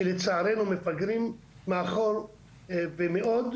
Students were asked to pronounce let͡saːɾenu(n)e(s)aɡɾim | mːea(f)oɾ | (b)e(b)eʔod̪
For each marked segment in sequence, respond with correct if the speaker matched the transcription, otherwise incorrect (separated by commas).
incorrect, incorrect, incorrect, incorrect, incorrect